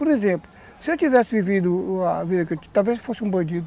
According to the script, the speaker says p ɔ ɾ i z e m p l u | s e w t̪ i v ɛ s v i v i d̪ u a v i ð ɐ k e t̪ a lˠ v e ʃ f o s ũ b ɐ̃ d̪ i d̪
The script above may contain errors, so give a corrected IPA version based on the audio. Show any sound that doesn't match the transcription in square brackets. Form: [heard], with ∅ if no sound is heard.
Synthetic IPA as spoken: p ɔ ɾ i z [ẽ] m p l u | s e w t̪ i v ɛ s v i v i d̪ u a v i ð ɐ k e t̪ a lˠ v e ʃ f o s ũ b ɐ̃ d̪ i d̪